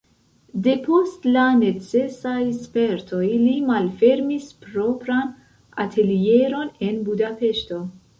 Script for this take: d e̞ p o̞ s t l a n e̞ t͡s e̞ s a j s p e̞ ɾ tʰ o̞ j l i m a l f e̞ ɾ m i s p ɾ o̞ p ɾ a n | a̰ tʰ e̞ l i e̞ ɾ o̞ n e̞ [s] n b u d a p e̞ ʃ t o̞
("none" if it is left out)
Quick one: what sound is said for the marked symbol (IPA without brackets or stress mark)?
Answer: none